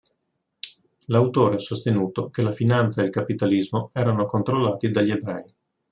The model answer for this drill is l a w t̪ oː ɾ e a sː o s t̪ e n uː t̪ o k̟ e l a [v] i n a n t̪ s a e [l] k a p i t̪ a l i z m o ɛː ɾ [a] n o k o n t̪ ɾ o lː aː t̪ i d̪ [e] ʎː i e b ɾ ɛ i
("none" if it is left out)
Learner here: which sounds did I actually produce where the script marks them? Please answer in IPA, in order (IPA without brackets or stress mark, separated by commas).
f, l, a, a